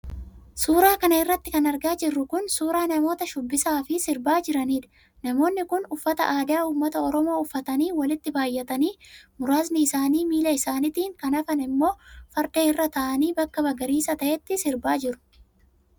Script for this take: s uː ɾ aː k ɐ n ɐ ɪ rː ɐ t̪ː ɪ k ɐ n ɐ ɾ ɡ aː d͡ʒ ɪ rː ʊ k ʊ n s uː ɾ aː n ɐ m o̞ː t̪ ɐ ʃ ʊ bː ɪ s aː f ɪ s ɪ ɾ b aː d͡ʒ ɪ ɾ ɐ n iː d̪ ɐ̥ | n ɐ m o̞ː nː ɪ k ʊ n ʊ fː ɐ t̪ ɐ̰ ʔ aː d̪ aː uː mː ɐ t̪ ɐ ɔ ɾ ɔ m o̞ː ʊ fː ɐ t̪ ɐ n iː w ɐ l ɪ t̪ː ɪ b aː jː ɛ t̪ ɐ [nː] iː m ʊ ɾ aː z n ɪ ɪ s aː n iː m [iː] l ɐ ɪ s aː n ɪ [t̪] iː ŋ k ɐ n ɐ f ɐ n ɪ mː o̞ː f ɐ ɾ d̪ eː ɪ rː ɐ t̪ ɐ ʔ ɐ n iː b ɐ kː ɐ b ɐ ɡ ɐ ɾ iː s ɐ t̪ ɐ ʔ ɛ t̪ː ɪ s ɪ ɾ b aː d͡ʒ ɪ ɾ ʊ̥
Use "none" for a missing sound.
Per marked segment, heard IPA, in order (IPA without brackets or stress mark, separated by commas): n, iː, t̪